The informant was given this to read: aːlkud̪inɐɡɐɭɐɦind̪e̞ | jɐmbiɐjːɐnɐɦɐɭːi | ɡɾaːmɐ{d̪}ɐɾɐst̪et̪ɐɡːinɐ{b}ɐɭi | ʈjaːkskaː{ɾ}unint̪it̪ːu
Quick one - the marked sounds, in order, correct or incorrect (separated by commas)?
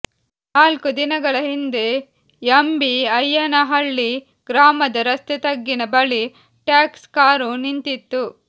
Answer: correct, correct, correct